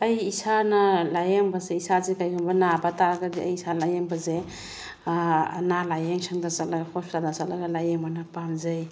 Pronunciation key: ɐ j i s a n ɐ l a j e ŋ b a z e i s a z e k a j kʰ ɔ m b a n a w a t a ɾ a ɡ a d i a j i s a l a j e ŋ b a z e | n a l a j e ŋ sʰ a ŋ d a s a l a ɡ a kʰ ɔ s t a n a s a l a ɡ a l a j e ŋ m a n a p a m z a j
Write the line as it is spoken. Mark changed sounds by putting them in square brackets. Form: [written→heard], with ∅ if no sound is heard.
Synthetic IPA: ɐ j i s a n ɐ l a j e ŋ b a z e i s a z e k a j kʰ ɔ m b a n a [w→b] a t a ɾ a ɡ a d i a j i s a l a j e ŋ b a z e | n a l a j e ŋ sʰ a ŋ d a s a l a ɡ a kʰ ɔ s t a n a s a l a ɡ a l a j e ŋ m a n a p a m z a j